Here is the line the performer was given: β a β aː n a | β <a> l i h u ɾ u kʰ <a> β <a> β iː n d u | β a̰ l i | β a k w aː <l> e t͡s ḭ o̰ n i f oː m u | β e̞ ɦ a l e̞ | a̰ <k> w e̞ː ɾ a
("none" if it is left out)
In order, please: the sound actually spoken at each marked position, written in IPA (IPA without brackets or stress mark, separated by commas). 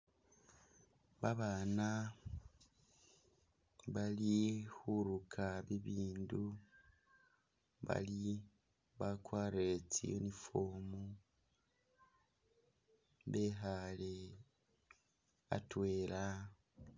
a, a, i, ɾ, t